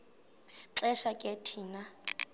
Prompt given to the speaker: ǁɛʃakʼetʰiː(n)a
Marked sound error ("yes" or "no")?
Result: no